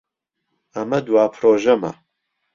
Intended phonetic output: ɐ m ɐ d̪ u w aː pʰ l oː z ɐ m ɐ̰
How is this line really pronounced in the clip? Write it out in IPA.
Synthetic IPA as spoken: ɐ m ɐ d̪ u w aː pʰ ɾ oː ʒ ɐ m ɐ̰